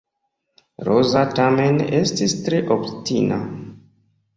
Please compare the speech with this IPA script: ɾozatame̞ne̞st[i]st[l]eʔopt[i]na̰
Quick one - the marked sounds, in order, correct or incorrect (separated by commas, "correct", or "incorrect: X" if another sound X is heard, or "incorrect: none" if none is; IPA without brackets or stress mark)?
correct, incorrect: ɾ, correct